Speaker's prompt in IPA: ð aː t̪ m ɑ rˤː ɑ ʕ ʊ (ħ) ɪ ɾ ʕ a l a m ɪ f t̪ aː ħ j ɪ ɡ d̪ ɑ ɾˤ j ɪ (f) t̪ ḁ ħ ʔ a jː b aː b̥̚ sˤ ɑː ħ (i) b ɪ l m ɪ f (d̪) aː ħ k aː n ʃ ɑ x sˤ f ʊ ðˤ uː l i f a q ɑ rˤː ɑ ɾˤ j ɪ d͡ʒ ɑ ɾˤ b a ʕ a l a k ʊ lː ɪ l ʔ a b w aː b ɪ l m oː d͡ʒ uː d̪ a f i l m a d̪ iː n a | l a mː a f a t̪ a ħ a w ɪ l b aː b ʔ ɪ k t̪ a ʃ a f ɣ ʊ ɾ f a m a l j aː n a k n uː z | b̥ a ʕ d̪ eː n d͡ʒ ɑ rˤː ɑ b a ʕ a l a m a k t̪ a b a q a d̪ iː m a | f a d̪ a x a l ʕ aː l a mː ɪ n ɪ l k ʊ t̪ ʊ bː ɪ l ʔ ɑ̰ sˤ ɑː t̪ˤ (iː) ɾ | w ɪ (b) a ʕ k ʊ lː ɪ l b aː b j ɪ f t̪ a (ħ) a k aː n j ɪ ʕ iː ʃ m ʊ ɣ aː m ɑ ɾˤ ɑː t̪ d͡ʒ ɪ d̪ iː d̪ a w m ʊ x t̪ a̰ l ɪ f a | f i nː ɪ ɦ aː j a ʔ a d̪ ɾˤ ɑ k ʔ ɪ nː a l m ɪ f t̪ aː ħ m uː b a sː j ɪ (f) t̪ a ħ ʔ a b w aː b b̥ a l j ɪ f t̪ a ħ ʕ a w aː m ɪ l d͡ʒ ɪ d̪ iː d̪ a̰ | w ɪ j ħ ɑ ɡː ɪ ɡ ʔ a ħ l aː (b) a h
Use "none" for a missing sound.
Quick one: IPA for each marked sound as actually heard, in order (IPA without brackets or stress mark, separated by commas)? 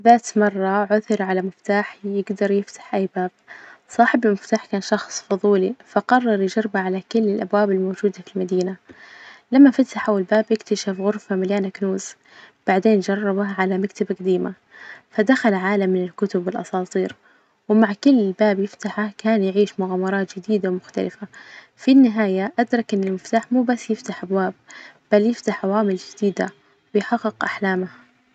θ, f, ɪ, t̪, iː, m, ħ, f, m